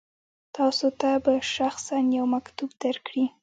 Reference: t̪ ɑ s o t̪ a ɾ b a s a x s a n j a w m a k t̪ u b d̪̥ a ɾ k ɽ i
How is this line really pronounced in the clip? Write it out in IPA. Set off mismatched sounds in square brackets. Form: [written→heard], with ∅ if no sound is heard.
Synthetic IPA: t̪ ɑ s o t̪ a [ɾ→∅] b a [s→ʃ] a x s a n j a w m a k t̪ u b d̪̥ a ɾ k ɽ i